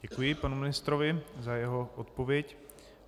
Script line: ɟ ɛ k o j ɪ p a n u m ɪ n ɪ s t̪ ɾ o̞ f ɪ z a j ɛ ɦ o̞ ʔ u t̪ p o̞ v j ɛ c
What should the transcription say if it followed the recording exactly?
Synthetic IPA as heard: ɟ ɛ k u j ɪ p a n u m ɪ n ɪ s t̪ ɾ o̞ v ɪ z a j ɛ ɦ o̞ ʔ o t̪ p o̞ v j ɛ c